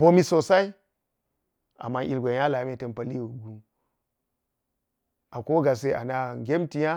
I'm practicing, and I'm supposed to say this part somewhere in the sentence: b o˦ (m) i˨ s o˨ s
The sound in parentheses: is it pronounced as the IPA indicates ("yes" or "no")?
yes